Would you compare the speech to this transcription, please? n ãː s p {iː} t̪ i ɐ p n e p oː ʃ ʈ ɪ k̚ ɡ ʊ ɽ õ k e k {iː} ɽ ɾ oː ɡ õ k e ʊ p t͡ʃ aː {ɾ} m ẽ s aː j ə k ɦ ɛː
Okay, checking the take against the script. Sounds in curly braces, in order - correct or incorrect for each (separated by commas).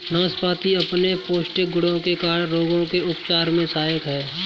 incorrect, incorrect, correct